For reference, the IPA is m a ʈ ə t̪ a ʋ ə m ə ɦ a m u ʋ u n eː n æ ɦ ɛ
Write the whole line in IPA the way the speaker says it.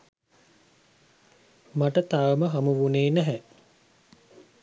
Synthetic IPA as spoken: m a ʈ ə t̪ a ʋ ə m ə ɦ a m u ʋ u n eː n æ ɦ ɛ

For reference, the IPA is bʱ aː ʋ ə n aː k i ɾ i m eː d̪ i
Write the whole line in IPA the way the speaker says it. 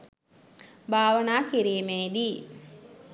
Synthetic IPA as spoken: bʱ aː ʋ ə n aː k i ɾ iː m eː d̪ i

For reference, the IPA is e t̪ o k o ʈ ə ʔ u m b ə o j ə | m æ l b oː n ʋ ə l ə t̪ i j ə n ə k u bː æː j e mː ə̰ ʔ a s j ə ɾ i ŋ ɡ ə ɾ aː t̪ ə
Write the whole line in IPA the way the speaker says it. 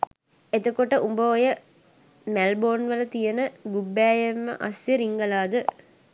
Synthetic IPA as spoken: e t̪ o k o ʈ ə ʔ u m b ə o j ə | m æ l b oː n ʋ ə l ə t̪ i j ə n ə ɡ u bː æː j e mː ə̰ ʔ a s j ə ɾ i ŋ ɡ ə l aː d̪ ə

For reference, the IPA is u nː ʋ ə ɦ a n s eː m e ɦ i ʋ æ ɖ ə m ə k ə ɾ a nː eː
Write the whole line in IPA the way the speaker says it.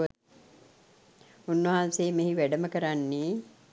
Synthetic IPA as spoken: u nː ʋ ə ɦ a n s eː m e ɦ i ʋ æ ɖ ə m ə k ə ɾ a nː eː

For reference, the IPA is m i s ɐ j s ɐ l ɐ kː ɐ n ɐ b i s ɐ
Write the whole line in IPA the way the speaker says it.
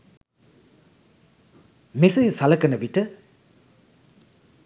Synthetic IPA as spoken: m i s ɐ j s a l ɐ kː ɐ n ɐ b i t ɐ

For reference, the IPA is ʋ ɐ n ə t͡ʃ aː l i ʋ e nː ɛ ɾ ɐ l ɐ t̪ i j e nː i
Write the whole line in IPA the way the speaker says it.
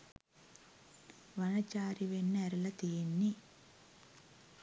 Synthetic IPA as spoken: ʋ ɐ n ɐ t͡ʃ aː ɾ i ʋ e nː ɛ ɾ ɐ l ɐ t̪ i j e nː i

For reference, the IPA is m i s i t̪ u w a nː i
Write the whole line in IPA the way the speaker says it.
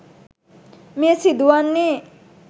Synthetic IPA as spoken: m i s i d̪ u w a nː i

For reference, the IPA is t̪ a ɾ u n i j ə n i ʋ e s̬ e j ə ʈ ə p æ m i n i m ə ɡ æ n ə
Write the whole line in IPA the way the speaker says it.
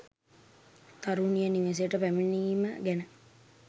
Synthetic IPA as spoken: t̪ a ɾ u n i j ə n i ʋ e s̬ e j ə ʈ ə p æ m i n i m ə ɡ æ n ə

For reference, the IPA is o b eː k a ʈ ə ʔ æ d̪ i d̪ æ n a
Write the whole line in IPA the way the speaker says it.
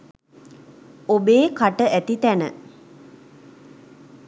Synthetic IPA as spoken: o b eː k a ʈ ə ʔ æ t̪ i t̪ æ n ə

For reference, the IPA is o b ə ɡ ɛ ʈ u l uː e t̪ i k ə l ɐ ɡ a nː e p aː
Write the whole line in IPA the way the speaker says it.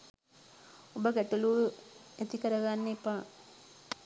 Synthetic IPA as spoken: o b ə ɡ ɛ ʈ u l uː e t̪ i k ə ɾ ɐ ɡ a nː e p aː

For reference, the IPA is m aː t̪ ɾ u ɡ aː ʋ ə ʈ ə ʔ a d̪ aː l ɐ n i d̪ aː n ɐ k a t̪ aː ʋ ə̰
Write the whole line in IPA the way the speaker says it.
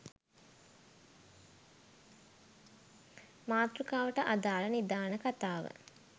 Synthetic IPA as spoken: m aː t̪ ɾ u k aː ʋ ə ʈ ə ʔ a d̪ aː l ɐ n i d̪ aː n ə k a t̪ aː ʋ ə̰

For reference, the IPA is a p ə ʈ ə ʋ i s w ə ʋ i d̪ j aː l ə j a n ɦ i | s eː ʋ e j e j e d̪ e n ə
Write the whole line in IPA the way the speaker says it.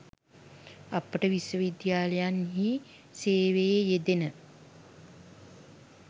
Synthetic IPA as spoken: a p ə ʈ ə ʋ i s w ə ʋ i d̪ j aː l ə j a n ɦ i | s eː ʋ e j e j e d̪ e n ə

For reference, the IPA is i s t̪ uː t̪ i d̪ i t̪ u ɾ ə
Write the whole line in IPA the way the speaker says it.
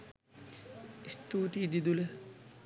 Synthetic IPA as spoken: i s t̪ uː t̪ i d̪ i d̪ u l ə

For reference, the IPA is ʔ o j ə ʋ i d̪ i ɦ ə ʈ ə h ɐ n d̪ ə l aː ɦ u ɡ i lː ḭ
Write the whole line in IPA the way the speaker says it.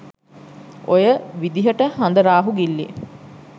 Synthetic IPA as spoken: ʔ o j ə ʋ i d̪ i ɦ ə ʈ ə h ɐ n d̪ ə ɾ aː ɦ u ɡ i lː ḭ

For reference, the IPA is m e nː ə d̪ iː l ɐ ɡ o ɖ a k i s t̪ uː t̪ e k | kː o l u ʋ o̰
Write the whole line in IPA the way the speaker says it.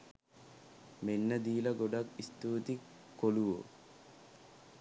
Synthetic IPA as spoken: m e nː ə d̪ iː l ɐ ɡ o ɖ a k i s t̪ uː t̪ i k | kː o l u ʋ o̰

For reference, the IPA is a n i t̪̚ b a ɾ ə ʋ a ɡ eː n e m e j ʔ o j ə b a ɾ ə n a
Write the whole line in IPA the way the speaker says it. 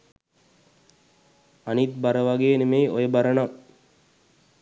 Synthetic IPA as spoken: a n i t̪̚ b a ɾ ə ʋ a ɡ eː n e m e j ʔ o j ə b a ɾ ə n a

